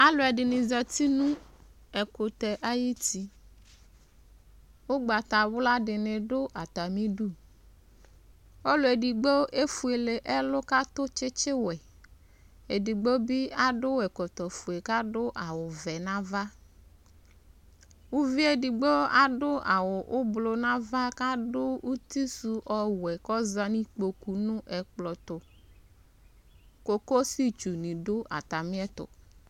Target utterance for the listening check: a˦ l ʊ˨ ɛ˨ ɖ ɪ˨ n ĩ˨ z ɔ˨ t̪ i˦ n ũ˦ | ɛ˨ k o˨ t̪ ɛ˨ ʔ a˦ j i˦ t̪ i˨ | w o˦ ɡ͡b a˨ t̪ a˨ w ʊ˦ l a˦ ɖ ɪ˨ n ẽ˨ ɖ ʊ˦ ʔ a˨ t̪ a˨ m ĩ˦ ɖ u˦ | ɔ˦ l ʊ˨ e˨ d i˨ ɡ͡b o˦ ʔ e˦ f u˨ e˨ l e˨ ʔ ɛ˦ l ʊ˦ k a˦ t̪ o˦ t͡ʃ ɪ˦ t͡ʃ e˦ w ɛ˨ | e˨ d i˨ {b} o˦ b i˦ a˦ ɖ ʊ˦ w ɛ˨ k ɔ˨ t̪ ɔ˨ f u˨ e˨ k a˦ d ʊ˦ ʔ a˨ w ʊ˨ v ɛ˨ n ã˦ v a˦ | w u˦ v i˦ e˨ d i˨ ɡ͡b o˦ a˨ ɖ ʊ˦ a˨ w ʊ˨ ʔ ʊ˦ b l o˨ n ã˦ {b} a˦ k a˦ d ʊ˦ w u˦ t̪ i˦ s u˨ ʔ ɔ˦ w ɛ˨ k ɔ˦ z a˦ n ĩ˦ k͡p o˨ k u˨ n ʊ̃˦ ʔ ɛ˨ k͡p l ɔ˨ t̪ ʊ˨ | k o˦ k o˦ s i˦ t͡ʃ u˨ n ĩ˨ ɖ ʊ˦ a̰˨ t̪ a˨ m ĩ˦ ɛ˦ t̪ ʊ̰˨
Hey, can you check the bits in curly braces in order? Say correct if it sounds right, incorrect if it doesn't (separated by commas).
incorrect, incorrect